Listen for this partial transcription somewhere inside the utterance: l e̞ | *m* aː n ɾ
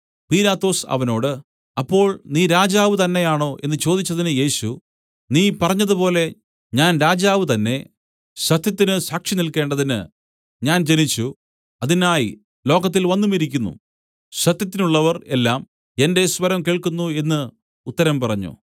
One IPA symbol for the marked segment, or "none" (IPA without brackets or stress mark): ɲ